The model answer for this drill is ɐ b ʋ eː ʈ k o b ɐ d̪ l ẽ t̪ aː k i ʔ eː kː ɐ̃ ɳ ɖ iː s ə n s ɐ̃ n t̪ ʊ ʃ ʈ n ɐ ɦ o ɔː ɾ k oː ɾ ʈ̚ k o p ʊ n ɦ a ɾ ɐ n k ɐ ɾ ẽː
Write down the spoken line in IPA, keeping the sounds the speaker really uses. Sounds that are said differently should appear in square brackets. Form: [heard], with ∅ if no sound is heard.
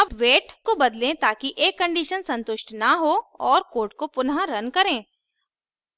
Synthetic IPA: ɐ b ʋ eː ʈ k o b ɐ d̪ l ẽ t̪ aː k i ʔ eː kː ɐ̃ ɳ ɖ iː [ʃ] ə n s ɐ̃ n t̪ ʊ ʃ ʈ n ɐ ɦ o ɔː ɾ k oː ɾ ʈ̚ k o p ʊ n ɦ a ɾ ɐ n k ɐ ɾ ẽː